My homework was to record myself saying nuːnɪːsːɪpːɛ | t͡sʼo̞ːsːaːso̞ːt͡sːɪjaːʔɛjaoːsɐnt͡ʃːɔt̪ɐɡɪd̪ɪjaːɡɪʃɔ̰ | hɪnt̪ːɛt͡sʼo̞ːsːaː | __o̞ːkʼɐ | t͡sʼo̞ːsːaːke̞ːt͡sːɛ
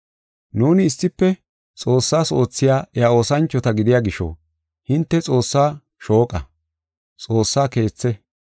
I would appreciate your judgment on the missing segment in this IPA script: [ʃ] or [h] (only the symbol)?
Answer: ʃ